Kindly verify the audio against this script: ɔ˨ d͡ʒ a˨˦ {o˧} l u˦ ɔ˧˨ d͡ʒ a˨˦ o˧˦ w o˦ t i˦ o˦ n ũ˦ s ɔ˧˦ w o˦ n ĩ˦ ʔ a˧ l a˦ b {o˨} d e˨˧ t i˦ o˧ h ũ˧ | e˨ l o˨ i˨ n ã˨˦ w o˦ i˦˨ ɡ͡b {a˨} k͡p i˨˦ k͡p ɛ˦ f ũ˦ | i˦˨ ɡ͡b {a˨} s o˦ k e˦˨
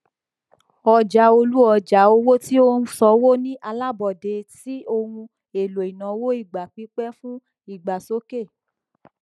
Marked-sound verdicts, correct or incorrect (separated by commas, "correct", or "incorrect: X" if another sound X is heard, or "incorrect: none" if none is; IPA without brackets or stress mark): correct, incorrect: ɔ˨, correct, correct